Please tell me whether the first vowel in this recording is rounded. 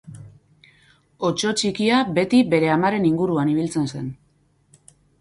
yes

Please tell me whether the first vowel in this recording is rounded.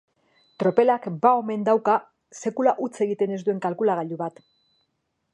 yes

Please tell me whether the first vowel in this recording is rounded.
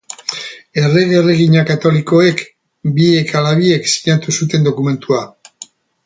no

